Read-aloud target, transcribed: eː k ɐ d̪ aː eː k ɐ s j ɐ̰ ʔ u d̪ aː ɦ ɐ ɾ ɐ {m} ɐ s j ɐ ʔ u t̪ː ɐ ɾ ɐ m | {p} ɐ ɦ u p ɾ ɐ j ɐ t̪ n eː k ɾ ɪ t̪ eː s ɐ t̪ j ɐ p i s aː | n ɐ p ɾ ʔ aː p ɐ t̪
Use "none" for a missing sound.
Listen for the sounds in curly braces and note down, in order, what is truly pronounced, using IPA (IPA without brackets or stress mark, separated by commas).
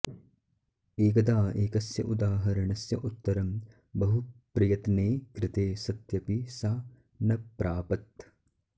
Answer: ɳ, b